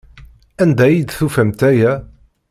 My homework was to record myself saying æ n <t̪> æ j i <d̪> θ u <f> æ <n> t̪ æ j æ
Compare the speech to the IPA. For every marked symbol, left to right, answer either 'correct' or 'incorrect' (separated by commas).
incorrect, correct, correct, incorrect